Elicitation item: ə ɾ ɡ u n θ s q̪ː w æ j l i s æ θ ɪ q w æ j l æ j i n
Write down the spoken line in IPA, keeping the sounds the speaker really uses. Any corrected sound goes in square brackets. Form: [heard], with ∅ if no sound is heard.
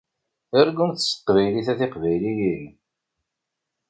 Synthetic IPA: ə ɾ ɡ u n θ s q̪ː [v] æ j l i [θ] æ θ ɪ q [v] æ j l [i] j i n